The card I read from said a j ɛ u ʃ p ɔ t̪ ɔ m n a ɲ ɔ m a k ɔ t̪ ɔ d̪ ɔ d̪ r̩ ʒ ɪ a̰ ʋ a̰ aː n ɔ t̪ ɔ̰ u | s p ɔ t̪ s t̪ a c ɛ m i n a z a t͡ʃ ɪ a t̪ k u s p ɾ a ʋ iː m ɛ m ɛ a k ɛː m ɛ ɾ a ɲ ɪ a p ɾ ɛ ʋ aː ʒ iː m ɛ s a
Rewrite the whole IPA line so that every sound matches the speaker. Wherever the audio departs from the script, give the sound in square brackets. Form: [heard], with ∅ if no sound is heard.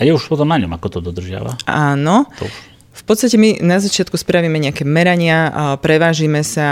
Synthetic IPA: a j ɛ u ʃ p ɔ t̪ ɔ m n a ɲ ɔ m a k ɔ t̪ ɔ d̪ ɔ d̪ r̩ ʒ ɪ a̰ ʋ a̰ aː n ɔ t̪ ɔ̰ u | [f] p ɔ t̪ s t̪ a c ɛ m i n a z a t͡ʃ ɪ a t̪ k u s p ɾ a ʋ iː m ɛ [ɲ] ɛ a k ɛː m ɛ ɾ a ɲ ɪ a p ɾ ɛ ʋ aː ʒ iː m ɛ s a